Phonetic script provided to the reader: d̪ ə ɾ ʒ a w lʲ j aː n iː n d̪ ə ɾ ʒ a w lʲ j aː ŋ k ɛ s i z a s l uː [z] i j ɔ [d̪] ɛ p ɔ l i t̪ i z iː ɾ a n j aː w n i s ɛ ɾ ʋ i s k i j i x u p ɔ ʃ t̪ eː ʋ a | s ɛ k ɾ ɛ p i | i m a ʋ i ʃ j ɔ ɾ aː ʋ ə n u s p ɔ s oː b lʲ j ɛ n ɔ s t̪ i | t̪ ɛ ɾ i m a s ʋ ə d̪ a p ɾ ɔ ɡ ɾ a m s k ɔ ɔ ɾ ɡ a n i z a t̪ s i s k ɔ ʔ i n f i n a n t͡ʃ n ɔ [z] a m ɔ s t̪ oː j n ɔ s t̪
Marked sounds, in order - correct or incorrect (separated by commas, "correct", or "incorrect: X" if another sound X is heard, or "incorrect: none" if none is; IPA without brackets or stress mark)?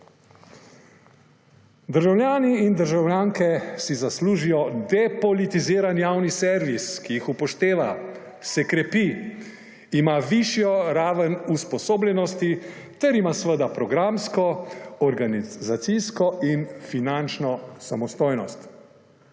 incorrect: ʒ, correct, incorrect: s